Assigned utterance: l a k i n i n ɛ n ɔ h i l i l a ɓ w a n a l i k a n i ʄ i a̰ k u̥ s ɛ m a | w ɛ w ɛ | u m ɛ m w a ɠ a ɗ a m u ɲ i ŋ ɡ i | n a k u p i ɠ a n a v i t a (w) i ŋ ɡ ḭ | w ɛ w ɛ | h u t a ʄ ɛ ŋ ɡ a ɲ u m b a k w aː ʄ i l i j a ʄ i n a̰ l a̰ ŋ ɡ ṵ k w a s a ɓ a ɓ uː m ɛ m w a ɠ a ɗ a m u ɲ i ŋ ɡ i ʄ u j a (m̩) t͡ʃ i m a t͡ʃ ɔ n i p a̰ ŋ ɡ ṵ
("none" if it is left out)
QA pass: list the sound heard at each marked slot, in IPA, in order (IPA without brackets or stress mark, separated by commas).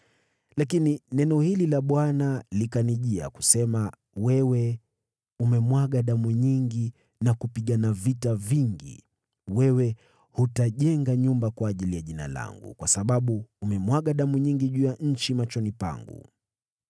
v, ɲ̩